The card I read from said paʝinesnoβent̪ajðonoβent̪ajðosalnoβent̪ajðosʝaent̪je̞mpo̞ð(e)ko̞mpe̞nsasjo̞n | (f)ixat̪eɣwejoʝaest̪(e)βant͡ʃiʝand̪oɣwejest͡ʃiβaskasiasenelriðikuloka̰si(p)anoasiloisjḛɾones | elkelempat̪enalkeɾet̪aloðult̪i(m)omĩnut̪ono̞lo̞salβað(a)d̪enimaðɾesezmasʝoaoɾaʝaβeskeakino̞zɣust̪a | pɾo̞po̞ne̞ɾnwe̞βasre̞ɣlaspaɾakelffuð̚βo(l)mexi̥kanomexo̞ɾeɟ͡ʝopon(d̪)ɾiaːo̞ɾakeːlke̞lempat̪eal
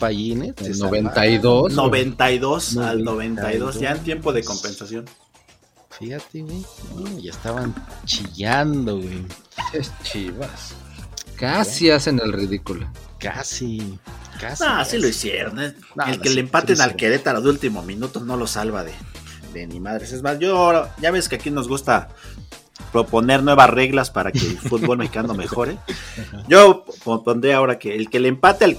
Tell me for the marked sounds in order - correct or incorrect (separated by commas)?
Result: correct, correct, incorrect, incorrect, correct, incorrect, correct, correct